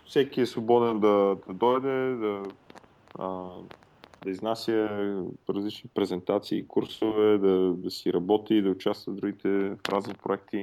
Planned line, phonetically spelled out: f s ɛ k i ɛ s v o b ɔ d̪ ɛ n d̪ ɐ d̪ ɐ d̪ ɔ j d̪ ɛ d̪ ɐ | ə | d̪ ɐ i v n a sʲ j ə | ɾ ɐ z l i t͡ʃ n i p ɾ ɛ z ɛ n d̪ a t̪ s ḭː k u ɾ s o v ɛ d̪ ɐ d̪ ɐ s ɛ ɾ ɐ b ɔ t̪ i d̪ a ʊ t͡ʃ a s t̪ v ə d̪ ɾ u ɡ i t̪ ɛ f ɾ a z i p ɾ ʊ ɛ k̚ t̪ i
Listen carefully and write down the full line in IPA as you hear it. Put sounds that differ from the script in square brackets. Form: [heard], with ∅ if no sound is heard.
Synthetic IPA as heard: f s ɛ k i ɛ s v o b ɔ d̪ ɛ n d̪ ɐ d̪ ɐ d̪ ɔ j d̪ ɛ d̪ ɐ | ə | d̪ ɐ i [z] n a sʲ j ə | ɾ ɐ z l i t͡ʃ n i p ɾ ɛ z ɛ n [t̪] a t̪ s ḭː k u ɾ s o v ɛ d̪ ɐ d̪ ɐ s [i] ɾ ɐ b ɔ t̪ i d̪ [ɐ] ʊ t͡ʃ a s t̪ v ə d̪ ɾ u ɡ i t̪ ɛ f ɾ a z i p ɾ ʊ ɛ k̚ t̪ i